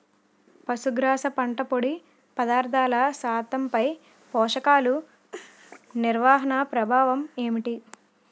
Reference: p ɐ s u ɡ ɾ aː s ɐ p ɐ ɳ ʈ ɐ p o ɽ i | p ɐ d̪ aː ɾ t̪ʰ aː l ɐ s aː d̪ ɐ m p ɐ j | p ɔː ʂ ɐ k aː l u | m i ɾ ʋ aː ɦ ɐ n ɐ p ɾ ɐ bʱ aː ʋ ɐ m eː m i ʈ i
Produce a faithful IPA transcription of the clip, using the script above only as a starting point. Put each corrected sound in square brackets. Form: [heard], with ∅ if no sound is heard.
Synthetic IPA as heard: p ɐ s u ɡ ɾ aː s ɐ p ɐ ɳ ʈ ɐ p o ɽ i | p ɐ d̪ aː ɾ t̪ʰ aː l ɐ s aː [t̪] ɐ m p ɐ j | p ɔː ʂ ɐ k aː l u | [n] i ɾ ʋ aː ɦ ɐ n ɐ p ɾ ɐ bʱ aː ʋ ɐ m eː m i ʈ i